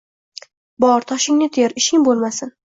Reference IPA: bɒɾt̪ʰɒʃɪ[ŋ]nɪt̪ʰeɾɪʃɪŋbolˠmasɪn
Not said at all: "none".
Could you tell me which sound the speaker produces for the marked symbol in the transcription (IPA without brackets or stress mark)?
ŋ